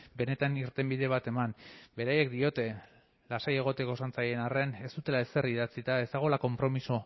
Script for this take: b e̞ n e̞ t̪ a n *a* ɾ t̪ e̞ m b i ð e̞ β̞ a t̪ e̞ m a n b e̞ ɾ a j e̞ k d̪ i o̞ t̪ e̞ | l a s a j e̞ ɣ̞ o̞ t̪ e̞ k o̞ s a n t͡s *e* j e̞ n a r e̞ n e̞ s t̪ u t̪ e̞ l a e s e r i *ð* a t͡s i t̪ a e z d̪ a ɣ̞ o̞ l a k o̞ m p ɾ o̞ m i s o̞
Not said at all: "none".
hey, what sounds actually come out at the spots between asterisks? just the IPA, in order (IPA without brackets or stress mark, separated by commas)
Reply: i, a, ð